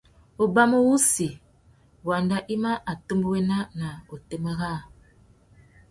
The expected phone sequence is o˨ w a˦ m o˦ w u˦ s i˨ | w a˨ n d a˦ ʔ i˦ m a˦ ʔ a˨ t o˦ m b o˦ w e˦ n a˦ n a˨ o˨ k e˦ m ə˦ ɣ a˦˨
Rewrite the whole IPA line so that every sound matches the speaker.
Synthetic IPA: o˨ b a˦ m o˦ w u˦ s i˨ | w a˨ n d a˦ ʔ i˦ m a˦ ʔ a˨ t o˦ m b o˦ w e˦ n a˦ n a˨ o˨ t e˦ m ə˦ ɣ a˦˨